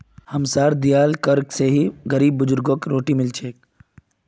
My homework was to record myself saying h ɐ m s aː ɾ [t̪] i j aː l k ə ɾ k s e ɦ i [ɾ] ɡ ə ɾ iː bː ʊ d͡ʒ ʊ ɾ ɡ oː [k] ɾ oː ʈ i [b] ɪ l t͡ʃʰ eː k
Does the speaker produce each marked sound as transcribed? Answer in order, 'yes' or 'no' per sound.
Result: no, no, yes, no

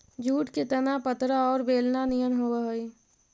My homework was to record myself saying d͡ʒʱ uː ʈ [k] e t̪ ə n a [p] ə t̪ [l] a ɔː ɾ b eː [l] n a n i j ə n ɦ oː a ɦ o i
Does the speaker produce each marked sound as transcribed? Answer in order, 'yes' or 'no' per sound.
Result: yes, yes, no, yes

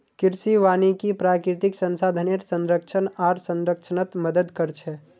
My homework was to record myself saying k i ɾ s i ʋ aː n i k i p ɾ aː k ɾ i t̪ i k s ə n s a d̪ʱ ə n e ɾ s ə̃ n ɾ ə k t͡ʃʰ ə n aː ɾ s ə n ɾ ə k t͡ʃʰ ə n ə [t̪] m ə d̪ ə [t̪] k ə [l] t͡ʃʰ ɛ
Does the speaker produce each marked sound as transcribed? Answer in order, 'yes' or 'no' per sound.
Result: yes, no, no

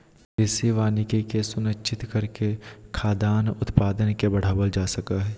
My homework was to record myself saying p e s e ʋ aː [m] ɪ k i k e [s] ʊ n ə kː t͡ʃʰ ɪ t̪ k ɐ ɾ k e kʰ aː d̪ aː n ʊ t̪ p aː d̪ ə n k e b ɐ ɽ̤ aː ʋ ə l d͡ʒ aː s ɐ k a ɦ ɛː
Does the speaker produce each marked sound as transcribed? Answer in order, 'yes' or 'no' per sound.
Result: no, yes

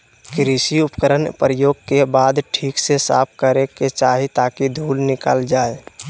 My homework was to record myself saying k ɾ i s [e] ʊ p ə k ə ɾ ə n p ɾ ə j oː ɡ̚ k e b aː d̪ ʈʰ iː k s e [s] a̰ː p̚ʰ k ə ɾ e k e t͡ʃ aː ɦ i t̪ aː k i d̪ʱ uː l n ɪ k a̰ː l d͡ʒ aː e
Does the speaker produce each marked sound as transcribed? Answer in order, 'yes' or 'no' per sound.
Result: no, yes

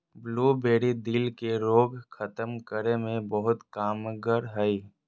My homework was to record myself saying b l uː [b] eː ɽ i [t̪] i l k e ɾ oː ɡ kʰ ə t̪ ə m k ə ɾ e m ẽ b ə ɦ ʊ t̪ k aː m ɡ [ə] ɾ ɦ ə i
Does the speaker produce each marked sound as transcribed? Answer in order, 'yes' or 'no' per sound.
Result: yes, no, yes

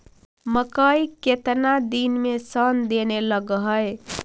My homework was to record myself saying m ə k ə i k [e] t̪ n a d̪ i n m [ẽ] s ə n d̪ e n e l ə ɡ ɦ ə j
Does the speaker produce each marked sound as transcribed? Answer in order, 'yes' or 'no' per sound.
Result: yes, no

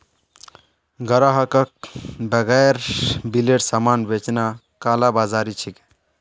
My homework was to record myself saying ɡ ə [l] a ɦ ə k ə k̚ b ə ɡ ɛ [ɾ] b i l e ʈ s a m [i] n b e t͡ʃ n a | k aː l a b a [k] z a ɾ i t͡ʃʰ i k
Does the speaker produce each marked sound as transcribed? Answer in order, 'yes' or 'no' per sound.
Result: no, yes, no, no

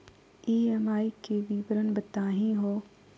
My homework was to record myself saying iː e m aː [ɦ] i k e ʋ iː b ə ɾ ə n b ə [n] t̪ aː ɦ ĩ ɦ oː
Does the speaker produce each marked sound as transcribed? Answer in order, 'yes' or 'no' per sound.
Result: no, no

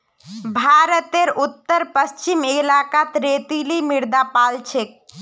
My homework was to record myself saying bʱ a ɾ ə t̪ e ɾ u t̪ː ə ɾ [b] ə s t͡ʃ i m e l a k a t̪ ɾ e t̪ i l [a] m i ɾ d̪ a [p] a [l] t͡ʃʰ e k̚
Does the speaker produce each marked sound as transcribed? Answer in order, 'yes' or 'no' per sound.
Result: no, no, yes, yes

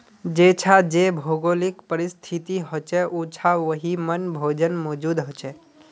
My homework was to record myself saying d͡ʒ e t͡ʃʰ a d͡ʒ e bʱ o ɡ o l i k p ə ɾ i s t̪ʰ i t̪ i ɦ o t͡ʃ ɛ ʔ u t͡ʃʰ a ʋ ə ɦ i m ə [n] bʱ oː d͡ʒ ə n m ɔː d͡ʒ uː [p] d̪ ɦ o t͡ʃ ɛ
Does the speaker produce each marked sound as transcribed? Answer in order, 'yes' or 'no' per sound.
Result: yes, no

